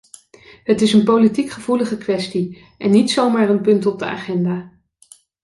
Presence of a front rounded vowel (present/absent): absent